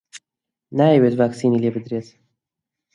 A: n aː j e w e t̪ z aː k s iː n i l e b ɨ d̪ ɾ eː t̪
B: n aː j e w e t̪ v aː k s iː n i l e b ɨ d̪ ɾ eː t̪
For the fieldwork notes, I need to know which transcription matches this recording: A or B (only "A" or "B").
B